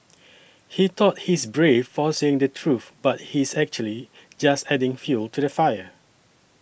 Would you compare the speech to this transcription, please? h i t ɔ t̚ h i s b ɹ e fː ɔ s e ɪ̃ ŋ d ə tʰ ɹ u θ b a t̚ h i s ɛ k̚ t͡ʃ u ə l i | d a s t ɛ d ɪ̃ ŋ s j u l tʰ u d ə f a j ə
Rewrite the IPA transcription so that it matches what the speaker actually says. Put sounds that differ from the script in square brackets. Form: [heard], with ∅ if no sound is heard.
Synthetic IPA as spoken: h i t ɔ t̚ h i s b ɹ e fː ɔ s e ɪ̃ ŋ d ə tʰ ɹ u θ b a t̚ h i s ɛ k̚ t͡ʃ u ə l i | [d͡ʒ] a s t ɛ d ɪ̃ ŋ [f] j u l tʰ u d ə f a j ə